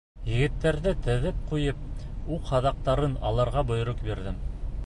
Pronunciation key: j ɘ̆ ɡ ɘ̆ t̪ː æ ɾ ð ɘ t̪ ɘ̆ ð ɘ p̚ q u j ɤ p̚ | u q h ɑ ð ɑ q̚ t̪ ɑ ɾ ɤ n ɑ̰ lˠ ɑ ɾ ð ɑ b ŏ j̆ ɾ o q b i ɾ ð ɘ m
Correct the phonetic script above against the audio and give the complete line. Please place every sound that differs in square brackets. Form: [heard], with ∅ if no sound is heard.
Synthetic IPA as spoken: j ɘ̆ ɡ ɘ̆ t̪ː æ ɾ ð ɘ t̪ ɘ̆ ð ɘ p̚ q u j ɤ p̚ | u q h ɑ ð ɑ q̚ t̪ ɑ ɾ ɤ n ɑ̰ lˠ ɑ ɾ [ʁ] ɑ b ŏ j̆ ɾ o q b i ɾ ð ɘ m